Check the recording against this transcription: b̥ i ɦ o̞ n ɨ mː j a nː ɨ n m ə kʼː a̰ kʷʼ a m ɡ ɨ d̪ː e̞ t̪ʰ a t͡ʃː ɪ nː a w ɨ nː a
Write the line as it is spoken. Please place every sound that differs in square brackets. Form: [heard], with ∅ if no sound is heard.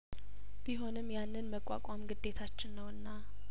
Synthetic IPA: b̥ i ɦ o̞ n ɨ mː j a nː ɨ n m ə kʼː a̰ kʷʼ a m ɡ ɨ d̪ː e̞ t̪ʰ a t͡ʃː ɪ nː [ə] w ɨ nː a